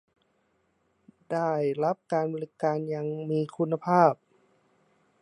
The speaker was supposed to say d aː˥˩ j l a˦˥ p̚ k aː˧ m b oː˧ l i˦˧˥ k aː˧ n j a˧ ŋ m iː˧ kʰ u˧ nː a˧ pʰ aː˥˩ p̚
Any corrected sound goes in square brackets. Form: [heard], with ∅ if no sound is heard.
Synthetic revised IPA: d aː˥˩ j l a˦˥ p̚ k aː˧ [n] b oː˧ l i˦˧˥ k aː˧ n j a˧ ŋ m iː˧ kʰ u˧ nː a˧ pʰ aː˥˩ p̚